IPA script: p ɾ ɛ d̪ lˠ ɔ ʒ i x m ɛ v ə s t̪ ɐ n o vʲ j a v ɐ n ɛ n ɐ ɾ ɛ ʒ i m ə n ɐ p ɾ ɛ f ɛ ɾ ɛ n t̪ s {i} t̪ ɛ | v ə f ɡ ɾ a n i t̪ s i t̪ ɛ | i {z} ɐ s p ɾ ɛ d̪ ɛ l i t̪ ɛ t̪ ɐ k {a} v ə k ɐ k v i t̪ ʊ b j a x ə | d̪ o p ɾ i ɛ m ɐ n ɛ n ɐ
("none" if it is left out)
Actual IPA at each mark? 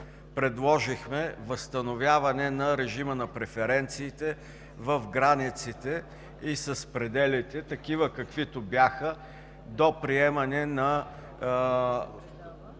iː, s, i

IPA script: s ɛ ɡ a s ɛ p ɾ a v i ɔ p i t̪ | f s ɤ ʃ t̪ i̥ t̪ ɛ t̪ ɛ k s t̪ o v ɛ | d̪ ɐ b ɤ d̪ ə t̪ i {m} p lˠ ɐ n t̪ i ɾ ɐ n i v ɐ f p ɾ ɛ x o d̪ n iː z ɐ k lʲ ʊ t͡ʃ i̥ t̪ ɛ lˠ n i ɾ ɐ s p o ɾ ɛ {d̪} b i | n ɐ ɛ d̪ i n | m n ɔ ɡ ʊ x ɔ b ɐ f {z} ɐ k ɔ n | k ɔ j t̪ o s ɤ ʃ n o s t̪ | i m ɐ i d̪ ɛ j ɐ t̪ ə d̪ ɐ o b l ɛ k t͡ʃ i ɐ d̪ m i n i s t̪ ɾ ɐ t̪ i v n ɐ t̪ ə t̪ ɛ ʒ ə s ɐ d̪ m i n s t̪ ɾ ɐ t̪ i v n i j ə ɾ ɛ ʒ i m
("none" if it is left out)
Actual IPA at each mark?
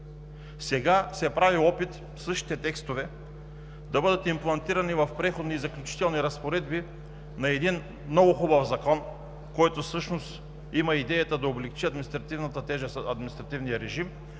m, d̪, z

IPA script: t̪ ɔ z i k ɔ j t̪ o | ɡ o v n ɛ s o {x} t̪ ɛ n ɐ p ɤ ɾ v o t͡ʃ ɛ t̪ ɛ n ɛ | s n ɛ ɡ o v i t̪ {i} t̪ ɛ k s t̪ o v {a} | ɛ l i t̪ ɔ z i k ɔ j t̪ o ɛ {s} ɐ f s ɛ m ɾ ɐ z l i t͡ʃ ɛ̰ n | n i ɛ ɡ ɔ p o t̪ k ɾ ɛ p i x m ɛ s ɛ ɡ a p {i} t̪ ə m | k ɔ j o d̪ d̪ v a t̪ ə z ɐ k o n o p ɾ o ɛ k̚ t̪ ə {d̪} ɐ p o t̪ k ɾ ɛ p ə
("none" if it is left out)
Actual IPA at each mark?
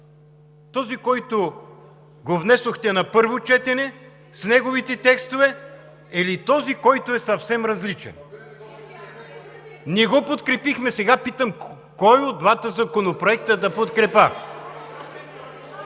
x, ɛ, ɛ, s, i, d̪

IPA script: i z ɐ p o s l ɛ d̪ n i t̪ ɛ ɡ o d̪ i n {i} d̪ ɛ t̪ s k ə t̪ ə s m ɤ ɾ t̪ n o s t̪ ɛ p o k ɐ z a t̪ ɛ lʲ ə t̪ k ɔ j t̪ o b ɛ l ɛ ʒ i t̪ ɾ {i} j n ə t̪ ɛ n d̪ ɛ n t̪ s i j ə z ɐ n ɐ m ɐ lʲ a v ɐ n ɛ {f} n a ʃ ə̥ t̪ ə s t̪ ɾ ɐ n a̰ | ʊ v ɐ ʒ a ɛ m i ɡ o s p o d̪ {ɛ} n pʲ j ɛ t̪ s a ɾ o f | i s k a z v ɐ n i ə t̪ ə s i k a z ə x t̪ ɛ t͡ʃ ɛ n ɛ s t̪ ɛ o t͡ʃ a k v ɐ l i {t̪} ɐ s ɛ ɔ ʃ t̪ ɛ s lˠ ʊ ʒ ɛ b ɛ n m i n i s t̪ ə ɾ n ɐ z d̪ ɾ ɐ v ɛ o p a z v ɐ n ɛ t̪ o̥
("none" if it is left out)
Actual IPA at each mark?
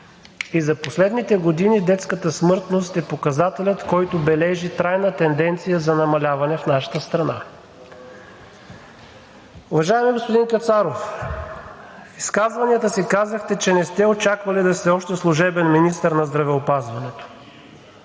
i, a, f, i, d̪

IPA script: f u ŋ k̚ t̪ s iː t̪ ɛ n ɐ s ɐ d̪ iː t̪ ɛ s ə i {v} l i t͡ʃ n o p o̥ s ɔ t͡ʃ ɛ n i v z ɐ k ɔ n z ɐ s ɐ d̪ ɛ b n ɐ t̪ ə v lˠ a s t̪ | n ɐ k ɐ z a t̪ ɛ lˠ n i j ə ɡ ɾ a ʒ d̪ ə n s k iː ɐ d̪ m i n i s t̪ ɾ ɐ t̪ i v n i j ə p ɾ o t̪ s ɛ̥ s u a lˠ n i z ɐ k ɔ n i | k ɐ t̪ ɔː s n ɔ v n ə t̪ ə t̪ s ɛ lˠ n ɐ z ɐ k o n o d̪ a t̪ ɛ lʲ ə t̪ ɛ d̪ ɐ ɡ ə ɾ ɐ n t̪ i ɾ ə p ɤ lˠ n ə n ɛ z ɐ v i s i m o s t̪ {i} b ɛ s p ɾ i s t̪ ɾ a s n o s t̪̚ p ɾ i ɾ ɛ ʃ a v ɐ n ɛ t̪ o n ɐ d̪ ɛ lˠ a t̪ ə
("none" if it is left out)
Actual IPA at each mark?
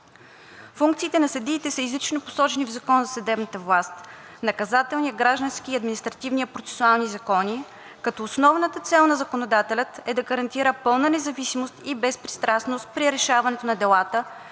z, i

